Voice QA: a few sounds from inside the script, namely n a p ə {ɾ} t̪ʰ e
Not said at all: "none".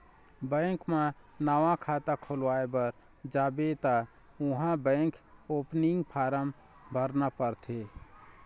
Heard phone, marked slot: ɾ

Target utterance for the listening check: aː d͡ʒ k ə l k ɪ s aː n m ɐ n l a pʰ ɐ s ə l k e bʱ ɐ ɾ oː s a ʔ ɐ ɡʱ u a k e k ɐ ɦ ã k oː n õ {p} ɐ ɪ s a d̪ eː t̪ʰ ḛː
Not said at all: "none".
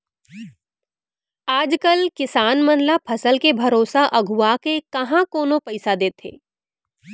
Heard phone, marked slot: p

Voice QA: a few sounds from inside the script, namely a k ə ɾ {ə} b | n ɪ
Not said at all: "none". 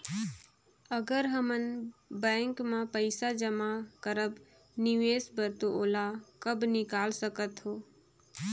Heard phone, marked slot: ə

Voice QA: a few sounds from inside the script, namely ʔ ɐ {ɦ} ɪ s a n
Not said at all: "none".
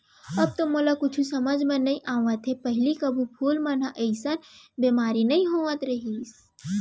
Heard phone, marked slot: none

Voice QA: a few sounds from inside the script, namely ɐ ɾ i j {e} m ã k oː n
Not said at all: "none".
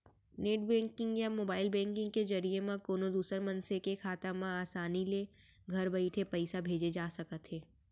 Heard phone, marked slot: e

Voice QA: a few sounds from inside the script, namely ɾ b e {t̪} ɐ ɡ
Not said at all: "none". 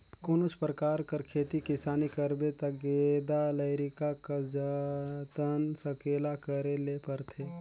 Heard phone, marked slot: t̪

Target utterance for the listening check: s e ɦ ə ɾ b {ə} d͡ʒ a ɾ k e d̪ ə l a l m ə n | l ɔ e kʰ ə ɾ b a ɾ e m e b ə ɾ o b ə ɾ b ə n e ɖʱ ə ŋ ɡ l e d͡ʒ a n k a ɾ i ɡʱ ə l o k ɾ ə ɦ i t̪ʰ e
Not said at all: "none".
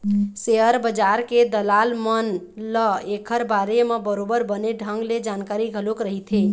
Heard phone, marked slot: ə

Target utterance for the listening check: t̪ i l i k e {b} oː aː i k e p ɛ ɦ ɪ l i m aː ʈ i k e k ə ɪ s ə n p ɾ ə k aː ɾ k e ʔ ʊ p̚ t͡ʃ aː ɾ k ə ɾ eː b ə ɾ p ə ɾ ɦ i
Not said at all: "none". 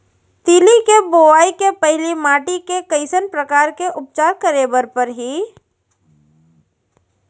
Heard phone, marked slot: b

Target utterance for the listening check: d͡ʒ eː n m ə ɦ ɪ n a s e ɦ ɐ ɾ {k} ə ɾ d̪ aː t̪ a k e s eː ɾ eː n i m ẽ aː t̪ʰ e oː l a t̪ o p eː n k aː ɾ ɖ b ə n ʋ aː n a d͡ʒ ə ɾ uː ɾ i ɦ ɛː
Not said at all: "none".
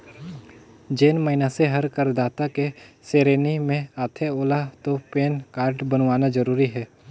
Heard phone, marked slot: k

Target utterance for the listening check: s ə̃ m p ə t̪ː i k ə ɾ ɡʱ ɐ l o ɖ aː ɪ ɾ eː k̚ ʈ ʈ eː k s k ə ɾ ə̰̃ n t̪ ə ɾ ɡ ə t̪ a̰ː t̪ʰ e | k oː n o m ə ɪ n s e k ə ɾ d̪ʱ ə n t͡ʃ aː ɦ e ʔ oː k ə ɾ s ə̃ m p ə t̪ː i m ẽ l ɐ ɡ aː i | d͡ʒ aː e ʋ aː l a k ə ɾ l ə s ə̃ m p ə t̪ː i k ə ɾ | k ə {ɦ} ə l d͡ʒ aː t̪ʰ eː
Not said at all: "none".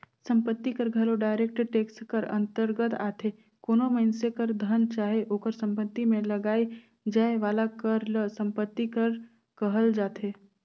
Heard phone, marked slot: ɦ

